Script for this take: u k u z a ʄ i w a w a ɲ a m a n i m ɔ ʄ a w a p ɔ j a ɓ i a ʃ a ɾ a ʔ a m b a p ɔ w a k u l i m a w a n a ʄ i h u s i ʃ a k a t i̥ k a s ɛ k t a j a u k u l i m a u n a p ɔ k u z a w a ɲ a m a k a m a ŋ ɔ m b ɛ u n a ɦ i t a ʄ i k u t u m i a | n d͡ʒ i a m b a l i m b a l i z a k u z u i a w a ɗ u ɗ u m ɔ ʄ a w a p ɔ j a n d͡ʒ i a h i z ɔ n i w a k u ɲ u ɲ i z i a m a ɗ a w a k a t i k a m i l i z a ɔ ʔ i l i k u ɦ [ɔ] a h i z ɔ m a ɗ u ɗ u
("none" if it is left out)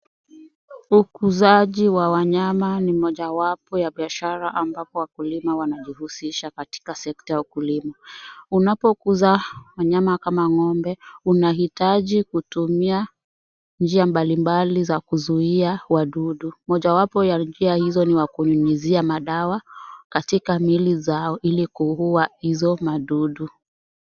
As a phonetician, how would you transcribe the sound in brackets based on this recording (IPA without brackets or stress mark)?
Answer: u